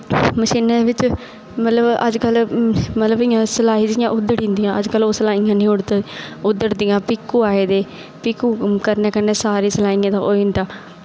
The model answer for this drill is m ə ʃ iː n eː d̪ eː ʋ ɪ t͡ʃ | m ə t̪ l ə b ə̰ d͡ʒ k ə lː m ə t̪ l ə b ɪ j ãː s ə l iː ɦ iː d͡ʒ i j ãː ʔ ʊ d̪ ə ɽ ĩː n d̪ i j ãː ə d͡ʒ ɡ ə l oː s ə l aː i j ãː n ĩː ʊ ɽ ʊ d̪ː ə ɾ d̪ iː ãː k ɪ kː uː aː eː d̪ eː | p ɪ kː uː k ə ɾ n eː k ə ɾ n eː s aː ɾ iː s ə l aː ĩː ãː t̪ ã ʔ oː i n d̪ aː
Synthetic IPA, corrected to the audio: m ə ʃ iː n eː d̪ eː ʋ ɪ t͡ʃ | m ə t̪ l ə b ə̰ d͡ʒ k ə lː m ə t̪ l ə b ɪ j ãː s ə l aː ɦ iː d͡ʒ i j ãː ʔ ʊ d̪ ə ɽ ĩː n d̪ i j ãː ə d͡ʒ k ə l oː s ə l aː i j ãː n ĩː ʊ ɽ ʊ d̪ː ə ɾ d̪ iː ãː p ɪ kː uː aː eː d̪ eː | p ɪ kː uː k ə ɾ n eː k ə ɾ n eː s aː ɾ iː s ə l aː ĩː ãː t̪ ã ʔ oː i n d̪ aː